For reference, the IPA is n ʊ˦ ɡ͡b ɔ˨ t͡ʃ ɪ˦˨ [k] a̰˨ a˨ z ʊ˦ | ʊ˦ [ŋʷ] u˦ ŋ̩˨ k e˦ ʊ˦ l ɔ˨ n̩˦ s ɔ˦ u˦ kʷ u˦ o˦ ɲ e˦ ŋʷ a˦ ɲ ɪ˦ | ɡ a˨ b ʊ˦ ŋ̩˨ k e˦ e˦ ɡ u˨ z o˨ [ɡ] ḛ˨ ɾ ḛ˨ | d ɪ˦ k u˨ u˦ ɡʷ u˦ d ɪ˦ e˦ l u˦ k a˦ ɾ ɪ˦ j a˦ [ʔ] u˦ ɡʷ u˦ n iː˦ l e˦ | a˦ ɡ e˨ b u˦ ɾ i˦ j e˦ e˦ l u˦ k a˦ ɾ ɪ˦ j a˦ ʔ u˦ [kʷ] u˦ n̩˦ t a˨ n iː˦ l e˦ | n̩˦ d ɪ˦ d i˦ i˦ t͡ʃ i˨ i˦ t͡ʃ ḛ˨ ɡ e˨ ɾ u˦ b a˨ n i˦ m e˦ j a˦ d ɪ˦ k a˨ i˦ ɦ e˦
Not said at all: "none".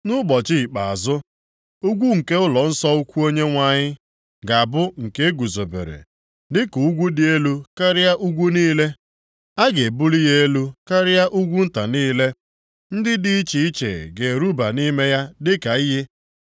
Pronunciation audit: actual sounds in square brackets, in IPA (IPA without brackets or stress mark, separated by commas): k͡p, ɡʷ, b, ʔ, ɡʷ